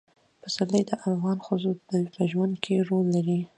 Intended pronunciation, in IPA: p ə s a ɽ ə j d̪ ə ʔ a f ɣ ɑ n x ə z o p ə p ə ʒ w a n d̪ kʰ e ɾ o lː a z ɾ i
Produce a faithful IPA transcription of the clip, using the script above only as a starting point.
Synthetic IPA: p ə s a l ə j d̪ ə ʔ a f ɣ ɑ n x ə z o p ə p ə ʒ w a n d̪ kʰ e ɾ o lː a ɾ i